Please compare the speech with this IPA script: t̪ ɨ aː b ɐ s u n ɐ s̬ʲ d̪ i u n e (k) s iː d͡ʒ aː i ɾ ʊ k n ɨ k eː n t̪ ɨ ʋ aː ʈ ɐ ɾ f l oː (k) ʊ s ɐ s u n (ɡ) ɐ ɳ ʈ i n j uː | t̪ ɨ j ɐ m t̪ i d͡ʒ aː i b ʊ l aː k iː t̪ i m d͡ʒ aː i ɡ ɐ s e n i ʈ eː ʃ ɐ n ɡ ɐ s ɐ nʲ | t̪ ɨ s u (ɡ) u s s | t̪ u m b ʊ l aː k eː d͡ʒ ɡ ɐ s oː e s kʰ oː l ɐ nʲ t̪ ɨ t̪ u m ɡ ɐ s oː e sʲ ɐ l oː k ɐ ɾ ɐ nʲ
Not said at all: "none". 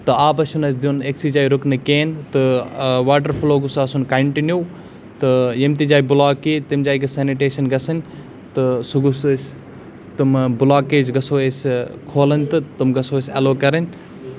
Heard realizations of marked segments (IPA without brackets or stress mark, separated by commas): k, ɡ, k, ɡ